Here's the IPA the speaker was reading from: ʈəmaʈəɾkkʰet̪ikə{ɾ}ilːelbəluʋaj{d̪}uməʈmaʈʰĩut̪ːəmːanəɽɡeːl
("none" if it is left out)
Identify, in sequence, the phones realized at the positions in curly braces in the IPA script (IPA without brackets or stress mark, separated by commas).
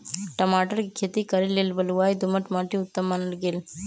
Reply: ɾ, d̪